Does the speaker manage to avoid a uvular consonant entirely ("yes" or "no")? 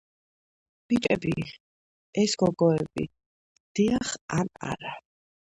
no